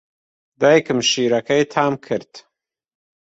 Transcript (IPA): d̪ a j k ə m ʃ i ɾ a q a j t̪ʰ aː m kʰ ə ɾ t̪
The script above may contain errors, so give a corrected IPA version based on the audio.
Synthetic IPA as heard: d̪ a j k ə m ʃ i ɾ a k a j t̪ʰ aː m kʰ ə ɾ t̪